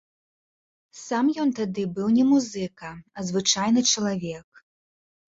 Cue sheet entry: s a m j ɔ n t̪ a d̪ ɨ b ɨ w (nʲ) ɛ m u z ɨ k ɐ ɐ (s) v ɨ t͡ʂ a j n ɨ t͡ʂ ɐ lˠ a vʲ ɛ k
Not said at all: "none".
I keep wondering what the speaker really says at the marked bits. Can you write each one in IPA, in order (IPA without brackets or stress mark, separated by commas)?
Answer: nʲ, z